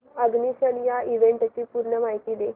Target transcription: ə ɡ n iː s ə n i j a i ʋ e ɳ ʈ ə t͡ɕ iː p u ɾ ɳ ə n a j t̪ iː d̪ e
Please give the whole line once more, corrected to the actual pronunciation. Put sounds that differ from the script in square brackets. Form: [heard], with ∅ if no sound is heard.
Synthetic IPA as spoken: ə ɡ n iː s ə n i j a i ʋ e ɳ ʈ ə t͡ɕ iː p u ɾ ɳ ə [m] a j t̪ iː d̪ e